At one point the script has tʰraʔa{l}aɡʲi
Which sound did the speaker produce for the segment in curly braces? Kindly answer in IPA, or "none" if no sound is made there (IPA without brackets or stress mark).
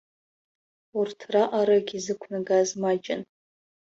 ɾ